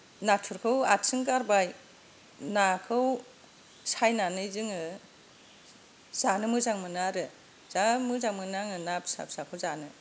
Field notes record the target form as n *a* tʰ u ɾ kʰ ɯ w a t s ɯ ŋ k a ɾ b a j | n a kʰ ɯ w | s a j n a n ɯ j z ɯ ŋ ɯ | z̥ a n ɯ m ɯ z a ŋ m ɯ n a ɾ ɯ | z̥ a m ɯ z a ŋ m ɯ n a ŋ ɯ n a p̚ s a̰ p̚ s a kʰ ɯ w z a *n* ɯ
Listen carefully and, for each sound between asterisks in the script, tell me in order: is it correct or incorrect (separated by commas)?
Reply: correct, correct